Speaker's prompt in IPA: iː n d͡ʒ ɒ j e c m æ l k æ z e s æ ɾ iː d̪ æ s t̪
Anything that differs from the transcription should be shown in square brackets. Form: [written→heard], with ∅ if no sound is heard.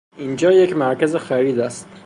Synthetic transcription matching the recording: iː n d͡ʒ [ɒ→ɒː] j e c m æ [l→ɾ] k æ z e [s→x] æ ɾ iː d̪ æ s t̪

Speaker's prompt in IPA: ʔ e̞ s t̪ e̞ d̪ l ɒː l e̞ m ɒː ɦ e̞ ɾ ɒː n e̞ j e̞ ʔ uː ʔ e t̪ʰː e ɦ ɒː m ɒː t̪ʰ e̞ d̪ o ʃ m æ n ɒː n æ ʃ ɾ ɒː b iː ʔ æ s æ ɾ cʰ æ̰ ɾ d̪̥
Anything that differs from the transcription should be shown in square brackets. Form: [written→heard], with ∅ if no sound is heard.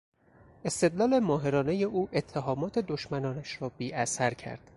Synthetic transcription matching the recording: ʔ e̞ s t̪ e̞ d̪ l ɒː l e̞ m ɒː ɦ e̞ ɾ ɒː n e̞ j e̞ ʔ uː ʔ e t̪ʰː e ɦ ɒː m ɒː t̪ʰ e̞ d̪ o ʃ m æ n ɒː n æ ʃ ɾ ɒː b iː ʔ æ s æ ɾ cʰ æ̰ ɾ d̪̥

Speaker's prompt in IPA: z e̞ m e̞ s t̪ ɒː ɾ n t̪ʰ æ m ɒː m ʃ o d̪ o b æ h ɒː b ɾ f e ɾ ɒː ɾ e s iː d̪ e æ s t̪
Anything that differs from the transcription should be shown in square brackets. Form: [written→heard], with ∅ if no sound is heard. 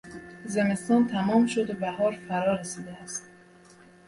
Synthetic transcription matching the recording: z e̞ m e̞ s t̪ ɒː [ɾ→∅] n t̪ʰ æ m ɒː m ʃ o d̪ o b æ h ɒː [b→∅] ɾ f [e→æ] ɾ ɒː ɾ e s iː d̪ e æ s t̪

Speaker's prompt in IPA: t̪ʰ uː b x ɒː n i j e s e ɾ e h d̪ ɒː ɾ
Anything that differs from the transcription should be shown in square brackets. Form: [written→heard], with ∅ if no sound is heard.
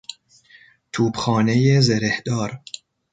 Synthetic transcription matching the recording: t̪ʰ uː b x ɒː n [i→e] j e [s→z] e ɾ e h d̪ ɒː ɾ

